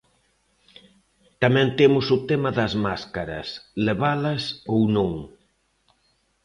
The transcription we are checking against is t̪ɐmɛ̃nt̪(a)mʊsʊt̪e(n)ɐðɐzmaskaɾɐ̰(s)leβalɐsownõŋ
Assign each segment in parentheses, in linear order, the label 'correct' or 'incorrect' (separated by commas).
incorrect, incorrect, correct